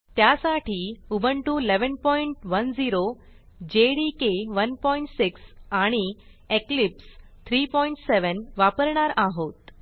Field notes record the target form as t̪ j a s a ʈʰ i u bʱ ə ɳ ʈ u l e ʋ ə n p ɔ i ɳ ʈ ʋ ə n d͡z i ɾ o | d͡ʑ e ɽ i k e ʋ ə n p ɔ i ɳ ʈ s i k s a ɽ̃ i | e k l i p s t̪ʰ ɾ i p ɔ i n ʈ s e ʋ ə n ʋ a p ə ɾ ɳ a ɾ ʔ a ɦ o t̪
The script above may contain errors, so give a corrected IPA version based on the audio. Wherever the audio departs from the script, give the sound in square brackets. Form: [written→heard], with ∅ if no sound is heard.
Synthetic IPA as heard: t̪ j a s a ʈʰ i u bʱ ə ɳ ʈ u l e ʋ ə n p ɔ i ɳ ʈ ʋ ə n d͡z i ɾ o | d͡ʑ e ɽ i k e ʋ ə n p ɔ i ɳ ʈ s i k s a ɽ̃ i | e k l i p s t̪ʰ ɾ i p ɔ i [n→ɳ] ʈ s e ʋ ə n ʋ a p ə ɾ ɳ a ɾ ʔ a ɦ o t̪